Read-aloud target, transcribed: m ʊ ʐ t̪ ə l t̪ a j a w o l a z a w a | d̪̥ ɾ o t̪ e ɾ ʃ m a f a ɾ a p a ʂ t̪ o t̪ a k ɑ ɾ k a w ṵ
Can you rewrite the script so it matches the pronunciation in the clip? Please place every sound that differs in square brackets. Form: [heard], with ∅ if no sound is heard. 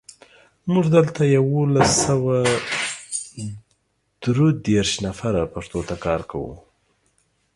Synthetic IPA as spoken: m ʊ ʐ [d̪] ə l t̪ a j a w o l a [s] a w a | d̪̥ ɾ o [d̪] e ɾ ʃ [n] a f a ɾ a p a ʂ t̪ o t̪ a k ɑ ɾ k a w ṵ